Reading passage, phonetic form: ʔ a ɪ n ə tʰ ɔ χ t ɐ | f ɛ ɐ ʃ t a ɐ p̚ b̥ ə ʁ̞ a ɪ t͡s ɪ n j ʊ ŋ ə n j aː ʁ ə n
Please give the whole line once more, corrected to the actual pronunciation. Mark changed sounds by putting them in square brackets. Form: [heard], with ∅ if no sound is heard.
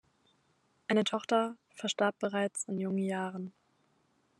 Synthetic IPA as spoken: ʔ a ɪ n ə tʰ ɔ χ t ɐ | f ɛ ɐ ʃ t a ɐ p̚ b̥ ə ʁ̞ a ɪ t͡s ɪ n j ʊ ŋ ə n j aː ʁ ə n

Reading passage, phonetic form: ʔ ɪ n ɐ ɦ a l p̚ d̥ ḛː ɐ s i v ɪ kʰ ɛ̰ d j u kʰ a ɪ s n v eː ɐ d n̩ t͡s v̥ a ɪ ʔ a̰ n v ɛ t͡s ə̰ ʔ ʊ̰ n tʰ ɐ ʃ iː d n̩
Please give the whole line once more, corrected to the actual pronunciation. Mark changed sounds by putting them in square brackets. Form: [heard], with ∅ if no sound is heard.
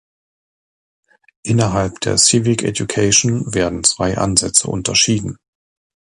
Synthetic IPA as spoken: ʔ ɪ n ɐ ɦ a l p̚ d̥ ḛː ɐ s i v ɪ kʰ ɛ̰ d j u kʰ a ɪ [ʃ] n v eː ɐ d n̩ t͡s v̥ a ɪ ʔ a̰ n [z] ɛ t͡s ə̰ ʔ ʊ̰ n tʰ ɐ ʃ iː d n̩

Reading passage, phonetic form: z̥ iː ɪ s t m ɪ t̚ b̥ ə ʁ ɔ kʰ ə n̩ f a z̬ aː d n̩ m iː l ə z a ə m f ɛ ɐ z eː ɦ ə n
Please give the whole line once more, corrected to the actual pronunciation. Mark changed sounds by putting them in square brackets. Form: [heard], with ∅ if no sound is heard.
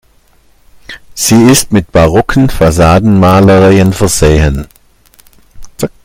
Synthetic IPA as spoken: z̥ iː ɪ s t m ɪ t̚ b̥ [a] ʁ ɔ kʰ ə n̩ f a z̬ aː d n̩ m [aː] l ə [ʁ] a ə [n] f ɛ ɐ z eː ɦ ə n

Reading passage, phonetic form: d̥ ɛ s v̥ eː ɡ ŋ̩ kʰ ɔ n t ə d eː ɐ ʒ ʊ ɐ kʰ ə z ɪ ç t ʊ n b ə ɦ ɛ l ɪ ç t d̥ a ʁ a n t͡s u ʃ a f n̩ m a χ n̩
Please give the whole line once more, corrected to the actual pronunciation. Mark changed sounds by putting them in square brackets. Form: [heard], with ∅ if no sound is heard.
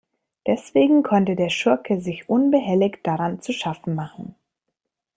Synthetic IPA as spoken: d̥ ɛ s v̥ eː ɡ ŋ̩ kʰ ɔ n t ə d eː ɐ [ʃ] ʊ ɐ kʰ ə z ɪ ç [ʔ] ʊ n b ə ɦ ɛ l ɪ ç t d̥ a ʁ a n t͡s u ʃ a f n̩ m a χ n̩

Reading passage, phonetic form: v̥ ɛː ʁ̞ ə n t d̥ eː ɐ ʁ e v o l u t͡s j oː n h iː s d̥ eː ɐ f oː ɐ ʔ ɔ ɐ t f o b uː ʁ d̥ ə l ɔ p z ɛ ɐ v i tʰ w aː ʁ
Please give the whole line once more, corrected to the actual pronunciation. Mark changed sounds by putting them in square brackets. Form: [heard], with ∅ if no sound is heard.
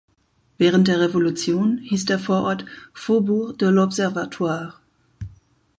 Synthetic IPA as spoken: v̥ ɛː ʁ̞ ə n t d̥ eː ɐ ʁ e v o l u t͡s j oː n h iː s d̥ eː ɐ f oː ɐ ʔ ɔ ɐ t f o b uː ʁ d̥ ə l ɔ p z ɛ ɐ v [a] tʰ w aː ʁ

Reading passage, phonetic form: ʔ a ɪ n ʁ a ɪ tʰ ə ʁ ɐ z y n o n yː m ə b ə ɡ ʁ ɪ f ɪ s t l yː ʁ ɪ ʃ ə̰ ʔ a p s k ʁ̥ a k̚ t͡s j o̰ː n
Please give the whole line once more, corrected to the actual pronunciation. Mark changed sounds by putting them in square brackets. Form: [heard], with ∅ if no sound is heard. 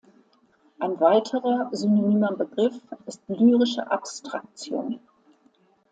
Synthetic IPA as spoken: ʔ a ɪ n [v] a ɪ tʰ ə ʁ ɐ z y n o n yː m [ɐ] b ə ɡ ʁ ɪ f ɪ s t l yː ʁ ɪ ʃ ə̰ ʔ a p s [t] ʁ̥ a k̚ t͡s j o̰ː n

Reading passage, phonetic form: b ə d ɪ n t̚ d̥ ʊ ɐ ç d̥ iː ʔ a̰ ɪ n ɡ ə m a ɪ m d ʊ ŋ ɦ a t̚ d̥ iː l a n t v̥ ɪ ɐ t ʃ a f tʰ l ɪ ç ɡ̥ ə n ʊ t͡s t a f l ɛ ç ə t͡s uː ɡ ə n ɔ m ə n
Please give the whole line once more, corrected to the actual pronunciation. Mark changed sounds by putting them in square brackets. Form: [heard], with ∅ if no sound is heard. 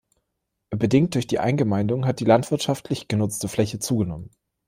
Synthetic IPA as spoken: b ə d ɪ [ŋ] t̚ d̥ ʊ ɐ ç d̥ iː ʔ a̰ ɪ n ɡ ə m a ɪ [n] d ʊ ŋ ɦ a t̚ d̥ iː l a n t v̥ ɪ ɐ t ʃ a f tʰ l ɪ ç ɡ̥ ə n ʊ t͡s t [ə] f l ɛ ç ə t͡s uː ɡ ə n ɔ m ə n

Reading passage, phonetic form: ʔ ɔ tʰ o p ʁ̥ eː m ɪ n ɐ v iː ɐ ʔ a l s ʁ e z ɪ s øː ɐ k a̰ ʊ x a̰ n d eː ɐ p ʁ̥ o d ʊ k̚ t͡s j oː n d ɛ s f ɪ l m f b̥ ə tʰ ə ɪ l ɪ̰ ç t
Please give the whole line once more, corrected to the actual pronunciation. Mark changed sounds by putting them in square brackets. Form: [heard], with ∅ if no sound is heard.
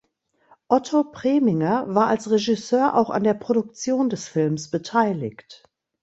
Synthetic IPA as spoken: ʔ ɔ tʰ o p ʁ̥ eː m ɪ [ŋ] ɐ v [aː] ɐ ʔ a l s ʁ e [ʒ] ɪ s øː ɐ [ʔ] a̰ ʊ x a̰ n d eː ɐ p ʁ̥ o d ʊ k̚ t͡s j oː n d ɛ s f ɪ l m [s] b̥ ə tʰ [a] ɪ l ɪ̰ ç t

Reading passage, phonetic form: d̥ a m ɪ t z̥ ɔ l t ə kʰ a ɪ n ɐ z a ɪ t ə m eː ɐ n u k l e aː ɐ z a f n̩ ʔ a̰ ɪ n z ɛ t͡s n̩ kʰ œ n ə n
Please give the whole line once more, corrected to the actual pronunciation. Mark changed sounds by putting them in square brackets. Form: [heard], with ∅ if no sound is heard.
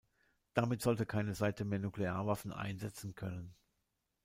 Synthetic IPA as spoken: d̥ a m ɪ t z̥ ɔ l t ə kʰ a ɪ n [ə] z a ɪ t ə m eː ɐ n u k l e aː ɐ [v] a f n̩ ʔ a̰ ɪ n z ɛ t͡s n̩ kʰ œ n ə n

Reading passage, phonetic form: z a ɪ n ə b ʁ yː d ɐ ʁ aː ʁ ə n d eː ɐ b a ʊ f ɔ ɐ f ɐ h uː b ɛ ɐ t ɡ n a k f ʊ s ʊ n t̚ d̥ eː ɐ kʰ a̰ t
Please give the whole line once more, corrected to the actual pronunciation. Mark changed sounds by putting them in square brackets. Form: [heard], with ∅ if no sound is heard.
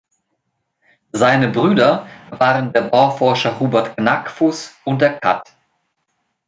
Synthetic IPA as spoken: z a ɪ n ə b ʁ yː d ɐ [v] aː ʁ ə n d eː ɐ b a ʊ f ɔ ɐ [ʃ] ɐ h uː b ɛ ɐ t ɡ n a k f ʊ s ʊ n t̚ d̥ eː ɐ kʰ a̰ t

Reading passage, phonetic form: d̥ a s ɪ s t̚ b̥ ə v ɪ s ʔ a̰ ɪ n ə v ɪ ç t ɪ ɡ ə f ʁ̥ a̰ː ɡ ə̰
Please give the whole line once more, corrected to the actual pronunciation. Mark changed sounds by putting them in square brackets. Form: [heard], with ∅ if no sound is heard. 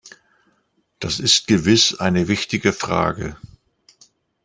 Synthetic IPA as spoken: d̥ a s ɪ s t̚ [ɡ̥] ə v ɪ s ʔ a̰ ɪ n ə v ɪ ç t ɪ ɡ ə f ʁ̥ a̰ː ɡ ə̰

